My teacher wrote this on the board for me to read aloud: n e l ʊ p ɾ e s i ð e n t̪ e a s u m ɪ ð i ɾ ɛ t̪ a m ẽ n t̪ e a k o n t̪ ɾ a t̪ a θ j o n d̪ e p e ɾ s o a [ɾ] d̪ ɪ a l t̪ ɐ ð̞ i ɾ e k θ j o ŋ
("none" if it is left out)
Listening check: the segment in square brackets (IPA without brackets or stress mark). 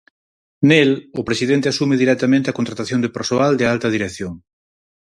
l